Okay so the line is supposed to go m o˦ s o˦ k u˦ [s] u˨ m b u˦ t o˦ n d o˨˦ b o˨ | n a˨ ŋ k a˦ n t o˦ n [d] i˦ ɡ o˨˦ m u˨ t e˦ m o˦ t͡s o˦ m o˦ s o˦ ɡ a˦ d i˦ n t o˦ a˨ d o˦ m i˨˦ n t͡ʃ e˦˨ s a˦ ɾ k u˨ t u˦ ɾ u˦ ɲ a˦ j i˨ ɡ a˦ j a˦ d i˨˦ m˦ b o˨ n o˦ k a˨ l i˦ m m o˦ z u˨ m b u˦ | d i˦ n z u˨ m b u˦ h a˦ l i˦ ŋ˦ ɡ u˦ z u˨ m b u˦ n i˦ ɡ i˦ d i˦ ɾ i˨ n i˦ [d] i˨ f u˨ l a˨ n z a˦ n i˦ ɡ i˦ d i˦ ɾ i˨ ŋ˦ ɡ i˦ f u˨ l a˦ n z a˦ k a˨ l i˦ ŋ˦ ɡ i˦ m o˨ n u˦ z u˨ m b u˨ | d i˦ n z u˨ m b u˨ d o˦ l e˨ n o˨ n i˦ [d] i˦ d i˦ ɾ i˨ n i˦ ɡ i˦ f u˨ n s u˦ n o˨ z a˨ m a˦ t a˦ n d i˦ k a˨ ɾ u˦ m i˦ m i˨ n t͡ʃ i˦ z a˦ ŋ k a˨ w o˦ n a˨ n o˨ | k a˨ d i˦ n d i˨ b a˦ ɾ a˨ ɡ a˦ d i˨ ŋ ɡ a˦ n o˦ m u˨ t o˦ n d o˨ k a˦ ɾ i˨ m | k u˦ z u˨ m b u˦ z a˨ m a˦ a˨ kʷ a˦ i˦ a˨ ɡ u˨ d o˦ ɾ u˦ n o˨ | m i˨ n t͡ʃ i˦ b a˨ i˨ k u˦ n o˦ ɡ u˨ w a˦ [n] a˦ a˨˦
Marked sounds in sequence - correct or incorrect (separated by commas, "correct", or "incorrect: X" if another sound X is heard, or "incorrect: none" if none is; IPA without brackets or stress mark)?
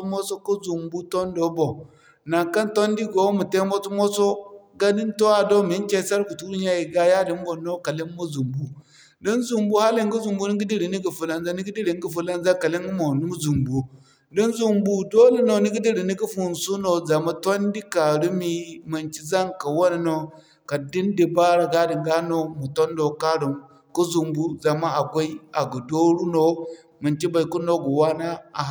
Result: incorrect: z, correct, incorrect: ɡ, incorrect: ɡ, correct